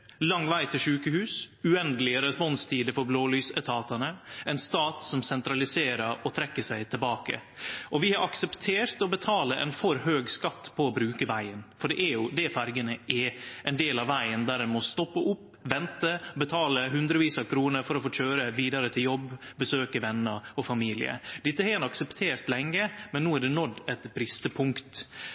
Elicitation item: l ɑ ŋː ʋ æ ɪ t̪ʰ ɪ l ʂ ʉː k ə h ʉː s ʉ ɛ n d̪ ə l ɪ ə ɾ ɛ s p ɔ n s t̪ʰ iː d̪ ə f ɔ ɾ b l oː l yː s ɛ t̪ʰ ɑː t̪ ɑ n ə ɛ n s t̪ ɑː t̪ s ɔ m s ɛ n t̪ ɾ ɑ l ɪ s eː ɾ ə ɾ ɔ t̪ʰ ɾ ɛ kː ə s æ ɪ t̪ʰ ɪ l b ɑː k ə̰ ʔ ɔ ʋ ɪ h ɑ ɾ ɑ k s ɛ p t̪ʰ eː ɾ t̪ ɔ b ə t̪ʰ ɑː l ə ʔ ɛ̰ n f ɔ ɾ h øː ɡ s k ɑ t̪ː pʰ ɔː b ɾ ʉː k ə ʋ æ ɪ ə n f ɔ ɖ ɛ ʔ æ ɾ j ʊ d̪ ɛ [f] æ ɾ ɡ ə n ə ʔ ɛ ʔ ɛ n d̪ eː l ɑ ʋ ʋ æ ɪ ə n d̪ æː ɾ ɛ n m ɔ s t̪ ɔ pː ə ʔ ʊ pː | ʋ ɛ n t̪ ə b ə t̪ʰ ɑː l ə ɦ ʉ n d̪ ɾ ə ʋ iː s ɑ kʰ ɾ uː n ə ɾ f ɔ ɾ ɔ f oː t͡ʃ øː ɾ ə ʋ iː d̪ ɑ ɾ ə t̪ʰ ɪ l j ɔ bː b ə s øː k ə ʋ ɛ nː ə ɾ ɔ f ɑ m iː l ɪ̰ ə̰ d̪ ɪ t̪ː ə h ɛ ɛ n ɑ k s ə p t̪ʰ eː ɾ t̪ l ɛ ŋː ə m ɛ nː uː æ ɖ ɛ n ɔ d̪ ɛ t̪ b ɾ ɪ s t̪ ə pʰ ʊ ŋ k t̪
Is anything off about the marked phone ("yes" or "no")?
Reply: no